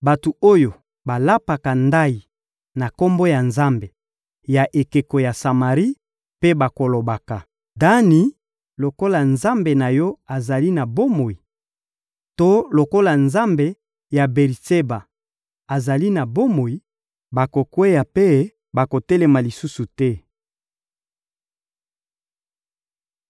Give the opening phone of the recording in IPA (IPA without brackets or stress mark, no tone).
b